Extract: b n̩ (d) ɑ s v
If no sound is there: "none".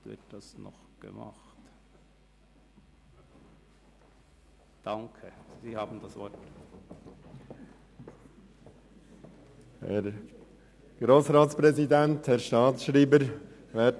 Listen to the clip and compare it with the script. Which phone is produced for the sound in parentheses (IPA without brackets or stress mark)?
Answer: d